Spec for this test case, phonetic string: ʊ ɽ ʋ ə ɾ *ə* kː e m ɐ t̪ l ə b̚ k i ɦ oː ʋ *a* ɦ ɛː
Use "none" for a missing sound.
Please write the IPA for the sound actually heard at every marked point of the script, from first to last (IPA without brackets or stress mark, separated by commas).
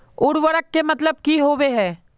ə, e